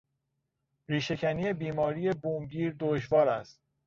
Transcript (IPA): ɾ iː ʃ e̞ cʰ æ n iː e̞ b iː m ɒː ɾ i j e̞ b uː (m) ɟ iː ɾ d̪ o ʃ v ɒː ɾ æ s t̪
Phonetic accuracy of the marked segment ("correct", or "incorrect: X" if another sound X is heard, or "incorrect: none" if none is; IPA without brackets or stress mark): correct